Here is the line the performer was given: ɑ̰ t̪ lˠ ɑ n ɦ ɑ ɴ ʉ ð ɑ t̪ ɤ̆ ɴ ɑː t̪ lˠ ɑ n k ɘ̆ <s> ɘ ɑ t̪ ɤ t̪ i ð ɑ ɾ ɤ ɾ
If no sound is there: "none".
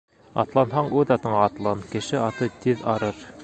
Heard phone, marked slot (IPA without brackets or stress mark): ʃ